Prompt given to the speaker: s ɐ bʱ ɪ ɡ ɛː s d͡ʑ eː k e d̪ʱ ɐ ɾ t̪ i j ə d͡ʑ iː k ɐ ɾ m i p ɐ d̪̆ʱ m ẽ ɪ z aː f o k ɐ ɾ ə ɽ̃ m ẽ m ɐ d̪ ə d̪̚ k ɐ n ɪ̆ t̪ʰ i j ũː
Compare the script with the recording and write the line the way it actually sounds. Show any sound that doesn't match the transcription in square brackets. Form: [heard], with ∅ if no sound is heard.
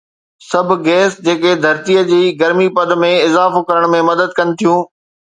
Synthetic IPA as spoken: s ɐ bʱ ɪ ɡ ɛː s d͡ʑ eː k e d̪ʱ ɐ ɾ t̪ i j ə d͡ʑ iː [ɡ] ɐ ɾ m i p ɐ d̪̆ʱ m ẽ ɪ z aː f o k ɐ ɾ ə ɽ̃ m ẽ m ɐ d̪ ə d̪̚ k ɐ n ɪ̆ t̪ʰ i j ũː